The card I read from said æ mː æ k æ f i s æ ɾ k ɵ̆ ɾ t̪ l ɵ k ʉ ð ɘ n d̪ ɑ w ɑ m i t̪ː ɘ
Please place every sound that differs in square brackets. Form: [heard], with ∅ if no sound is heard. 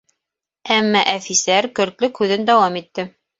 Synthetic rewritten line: æ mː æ [ʔ] æ f i s æ ɾ k ɵ̆ ɾ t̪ l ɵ k ʉ ð ɘ n d̪ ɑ w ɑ m i t̪ː ɘ